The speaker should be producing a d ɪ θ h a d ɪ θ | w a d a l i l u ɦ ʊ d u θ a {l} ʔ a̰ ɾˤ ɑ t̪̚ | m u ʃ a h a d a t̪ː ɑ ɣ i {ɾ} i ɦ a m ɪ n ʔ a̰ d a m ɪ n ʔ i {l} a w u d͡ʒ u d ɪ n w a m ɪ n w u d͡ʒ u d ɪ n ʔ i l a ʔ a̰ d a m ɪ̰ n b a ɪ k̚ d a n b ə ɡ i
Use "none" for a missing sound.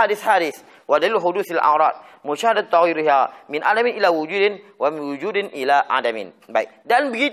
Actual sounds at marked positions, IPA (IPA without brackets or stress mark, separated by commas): l, ɾ, l